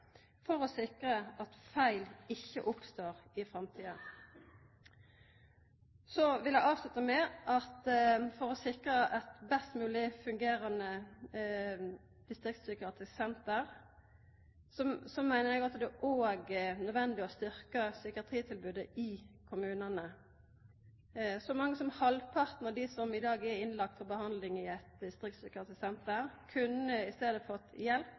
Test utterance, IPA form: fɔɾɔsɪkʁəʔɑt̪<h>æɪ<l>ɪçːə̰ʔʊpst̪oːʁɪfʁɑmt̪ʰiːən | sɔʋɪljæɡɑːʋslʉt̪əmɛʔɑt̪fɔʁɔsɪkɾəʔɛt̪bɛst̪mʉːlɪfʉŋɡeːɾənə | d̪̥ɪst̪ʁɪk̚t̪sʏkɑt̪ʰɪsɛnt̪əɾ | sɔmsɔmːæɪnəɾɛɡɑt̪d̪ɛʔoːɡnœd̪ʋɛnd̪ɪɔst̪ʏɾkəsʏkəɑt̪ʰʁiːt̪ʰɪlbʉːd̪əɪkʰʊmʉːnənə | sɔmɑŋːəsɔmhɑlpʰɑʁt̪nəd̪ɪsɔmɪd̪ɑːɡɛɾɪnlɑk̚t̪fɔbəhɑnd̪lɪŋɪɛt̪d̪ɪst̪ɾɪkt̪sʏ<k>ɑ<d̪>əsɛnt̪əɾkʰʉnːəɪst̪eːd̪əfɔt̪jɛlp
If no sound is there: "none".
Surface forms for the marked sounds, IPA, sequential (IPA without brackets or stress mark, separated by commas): f, l, k, t̪